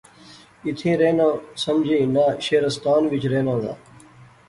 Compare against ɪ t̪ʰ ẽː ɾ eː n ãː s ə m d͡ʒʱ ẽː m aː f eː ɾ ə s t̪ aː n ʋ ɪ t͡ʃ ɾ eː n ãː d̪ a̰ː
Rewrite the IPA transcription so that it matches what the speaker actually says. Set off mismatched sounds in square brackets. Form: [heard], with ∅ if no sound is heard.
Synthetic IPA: ɪ t̪ʰ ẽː ɾ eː n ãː s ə m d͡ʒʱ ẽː [n] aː [ʃ] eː ɾ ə s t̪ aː n ʋ ɪ t͡ʃ ɾ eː n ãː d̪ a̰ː